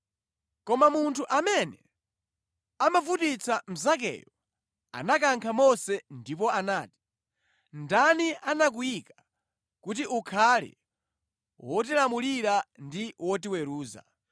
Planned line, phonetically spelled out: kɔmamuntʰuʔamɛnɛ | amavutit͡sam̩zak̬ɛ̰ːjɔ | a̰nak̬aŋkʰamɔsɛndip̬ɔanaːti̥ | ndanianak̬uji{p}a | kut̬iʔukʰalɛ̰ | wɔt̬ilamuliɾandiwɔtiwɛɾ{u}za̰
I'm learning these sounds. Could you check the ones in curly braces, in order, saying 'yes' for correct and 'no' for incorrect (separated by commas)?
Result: no, no